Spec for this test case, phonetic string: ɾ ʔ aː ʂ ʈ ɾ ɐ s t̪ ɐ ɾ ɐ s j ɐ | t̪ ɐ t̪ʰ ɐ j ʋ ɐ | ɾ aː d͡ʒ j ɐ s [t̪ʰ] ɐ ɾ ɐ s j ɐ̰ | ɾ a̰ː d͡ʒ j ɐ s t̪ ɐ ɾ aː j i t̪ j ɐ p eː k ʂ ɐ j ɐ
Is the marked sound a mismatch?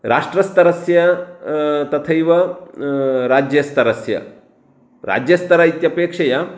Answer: yes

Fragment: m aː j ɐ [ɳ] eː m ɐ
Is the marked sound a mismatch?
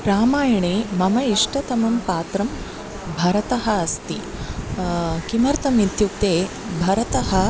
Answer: no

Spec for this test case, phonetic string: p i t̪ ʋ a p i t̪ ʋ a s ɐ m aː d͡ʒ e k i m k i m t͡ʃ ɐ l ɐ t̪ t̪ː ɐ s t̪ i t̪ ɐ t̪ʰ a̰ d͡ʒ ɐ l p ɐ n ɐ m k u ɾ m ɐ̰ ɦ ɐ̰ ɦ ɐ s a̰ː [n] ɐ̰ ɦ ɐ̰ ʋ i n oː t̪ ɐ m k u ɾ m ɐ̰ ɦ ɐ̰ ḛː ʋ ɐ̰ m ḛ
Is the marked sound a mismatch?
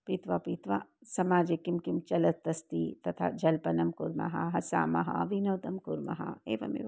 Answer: yes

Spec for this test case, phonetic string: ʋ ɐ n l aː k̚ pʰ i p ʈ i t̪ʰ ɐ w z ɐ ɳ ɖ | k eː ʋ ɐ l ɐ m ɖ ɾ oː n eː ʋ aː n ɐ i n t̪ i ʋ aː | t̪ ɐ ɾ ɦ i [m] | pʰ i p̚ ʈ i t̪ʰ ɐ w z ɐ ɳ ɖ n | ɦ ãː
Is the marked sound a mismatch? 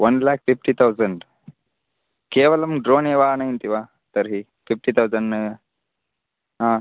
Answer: yes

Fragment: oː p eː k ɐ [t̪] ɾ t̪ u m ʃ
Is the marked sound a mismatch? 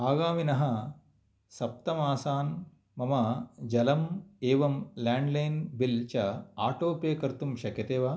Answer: yes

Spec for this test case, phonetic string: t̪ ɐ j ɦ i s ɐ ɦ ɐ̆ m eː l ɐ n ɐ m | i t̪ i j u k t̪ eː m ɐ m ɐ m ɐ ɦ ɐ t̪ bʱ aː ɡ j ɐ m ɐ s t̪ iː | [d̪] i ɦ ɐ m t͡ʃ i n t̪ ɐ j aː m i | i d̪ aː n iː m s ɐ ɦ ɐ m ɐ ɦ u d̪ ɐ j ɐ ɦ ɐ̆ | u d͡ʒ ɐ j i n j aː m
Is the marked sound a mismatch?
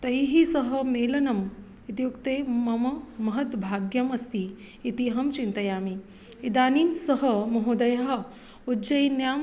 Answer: yes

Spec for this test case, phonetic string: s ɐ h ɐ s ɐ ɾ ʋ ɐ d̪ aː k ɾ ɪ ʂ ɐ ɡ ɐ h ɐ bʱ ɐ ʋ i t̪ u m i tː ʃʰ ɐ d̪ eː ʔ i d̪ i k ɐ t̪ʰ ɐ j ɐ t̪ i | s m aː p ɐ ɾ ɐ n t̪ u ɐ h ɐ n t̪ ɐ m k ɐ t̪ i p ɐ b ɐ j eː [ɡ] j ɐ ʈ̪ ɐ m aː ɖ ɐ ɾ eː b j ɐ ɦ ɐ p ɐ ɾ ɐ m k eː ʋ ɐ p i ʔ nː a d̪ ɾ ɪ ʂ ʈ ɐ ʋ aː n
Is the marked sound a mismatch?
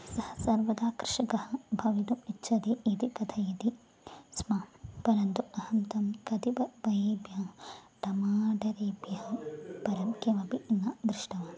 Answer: yes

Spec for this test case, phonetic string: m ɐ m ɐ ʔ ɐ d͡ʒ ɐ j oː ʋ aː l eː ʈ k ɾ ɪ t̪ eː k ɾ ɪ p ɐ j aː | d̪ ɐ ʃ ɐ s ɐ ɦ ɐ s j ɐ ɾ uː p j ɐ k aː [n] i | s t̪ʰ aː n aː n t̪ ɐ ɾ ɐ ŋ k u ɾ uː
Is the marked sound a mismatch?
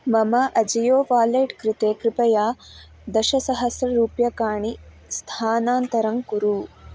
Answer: yes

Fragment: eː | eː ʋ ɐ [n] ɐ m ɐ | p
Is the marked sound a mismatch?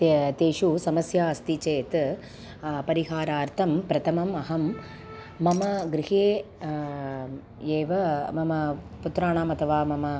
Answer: yes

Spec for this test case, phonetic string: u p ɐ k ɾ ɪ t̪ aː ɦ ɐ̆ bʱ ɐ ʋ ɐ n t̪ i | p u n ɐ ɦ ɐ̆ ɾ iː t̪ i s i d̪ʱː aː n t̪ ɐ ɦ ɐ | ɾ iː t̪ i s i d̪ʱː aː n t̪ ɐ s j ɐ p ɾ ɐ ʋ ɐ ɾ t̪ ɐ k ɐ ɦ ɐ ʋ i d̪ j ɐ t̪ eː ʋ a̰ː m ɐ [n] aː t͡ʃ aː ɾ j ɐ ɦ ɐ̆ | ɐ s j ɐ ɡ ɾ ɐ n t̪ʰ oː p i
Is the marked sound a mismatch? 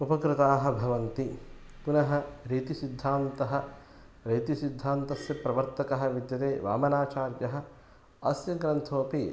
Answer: no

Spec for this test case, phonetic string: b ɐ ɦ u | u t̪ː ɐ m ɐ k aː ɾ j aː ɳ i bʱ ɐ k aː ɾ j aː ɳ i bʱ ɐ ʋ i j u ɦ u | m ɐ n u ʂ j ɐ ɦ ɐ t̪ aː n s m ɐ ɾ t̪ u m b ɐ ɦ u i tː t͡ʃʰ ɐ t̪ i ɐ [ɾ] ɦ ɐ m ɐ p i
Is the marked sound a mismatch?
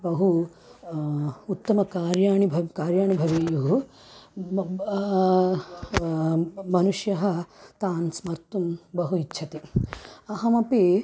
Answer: yes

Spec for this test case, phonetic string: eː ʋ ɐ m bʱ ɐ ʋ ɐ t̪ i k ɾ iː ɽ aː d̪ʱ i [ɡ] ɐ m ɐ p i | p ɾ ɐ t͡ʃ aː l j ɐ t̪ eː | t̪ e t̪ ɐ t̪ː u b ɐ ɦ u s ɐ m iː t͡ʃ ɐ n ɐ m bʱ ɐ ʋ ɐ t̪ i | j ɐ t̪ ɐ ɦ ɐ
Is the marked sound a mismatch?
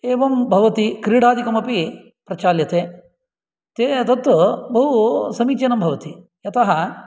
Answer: yes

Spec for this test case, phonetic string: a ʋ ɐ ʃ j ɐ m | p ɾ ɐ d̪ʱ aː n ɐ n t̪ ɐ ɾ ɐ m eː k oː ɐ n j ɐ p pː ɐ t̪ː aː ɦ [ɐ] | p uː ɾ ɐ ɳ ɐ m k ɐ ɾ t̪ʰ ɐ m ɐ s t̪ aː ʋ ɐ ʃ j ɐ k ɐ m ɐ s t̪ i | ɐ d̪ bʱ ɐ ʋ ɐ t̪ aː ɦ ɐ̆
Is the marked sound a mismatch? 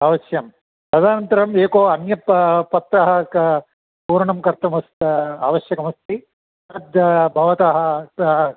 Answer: no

